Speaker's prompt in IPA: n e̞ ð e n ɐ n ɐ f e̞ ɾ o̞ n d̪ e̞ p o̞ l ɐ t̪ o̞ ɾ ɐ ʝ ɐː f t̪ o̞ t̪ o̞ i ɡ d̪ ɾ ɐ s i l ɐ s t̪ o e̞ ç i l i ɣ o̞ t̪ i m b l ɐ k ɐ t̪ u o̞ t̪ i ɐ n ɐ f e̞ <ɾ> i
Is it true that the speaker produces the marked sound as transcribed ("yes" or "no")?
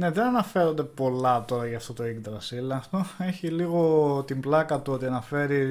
yes